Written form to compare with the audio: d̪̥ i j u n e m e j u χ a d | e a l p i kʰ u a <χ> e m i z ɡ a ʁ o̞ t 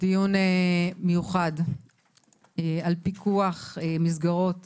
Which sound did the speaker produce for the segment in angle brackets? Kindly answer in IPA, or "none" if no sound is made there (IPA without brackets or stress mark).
χ